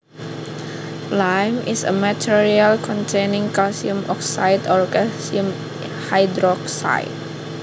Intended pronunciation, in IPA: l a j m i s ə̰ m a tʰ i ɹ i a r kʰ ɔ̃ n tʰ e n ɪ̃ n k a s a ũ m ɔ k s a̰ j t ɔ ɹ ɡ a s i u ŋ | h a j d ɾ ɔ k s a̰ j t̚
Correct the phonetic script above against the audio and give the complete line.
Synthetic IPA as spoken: l a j m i s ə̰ m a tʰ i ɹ i a l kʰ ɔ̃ n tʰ e n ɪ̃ ŋ k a s i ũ m ɔ k s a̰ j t ɔ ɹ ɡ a s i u m | h a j d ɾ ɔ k s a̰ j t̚